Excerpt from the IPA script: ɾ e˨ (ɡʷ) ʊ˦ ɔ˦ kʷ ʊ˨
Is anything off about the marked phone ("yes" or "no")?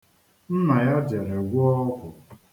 no